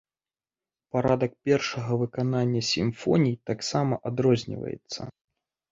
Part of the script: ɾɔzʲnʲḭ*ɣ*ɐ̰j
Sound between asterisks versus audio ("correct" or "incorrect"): incorrect